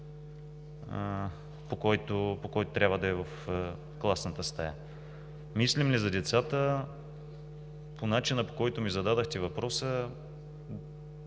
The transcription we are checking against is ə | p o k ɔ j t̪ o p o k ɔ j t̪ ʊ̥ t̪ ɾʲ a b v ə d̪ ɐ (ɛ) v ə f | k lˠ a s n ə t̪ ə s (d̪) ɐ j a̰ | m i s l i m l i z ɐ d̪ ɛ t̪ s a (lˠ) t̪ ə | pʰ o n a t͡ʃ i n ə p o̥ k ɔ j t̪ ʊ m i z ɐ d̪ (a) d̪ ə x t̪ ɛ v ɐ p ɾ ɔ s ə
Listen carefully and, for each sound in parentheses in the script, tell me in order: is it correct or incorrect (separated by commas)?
correct, incorrect, incorrect, correct